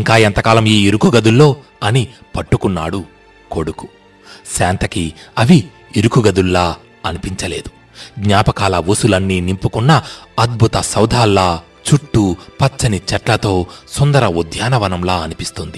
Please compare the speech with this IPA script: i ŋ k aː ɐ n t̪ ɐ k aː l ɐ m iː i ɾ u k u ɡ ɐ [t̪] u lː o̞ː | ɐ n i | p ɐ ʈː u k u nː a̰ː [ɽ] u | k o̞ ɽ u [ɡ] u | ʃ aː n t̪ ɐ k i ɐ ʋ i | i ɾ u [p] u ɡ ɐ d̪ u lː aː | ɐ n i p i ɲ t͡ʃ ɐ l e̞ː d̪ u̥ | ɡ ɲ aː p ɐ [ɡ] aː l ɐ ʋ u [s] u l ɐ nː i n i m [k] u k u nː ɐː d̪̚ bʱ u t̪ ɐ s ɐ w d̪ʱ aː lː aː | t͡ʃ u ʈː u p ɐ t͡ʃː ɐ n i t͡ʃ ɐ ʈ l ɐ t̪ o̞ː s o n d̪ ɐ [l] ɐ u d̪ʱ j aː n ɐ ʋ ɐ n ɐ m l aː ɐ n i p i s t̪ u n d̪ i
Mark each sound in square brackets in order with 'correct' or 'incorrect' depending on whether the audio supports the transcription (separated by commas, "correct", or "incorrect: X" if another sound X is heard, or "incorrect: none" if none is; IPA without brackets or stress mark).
incorrect: d̪, correct, incorrect: k, incorrect: k, incorrect: k, correct, incorrect: p, incorrect: ɾ